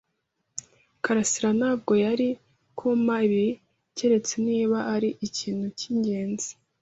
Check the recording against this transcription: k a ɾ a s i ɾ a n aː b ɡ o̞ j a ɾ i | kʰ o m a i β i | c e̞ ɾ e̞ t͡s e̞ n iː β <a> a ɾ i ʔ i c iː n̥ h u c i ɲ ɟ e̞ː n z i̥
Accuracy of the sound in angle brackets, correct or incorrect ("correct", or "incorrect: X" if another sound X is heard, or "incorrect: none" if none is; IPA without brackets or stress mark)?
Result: correct